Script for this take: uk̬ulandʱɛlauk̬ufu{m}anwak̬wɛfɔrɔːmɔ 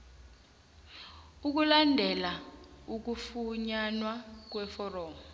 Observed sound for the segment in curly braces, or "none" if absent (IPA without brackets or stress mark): ɲ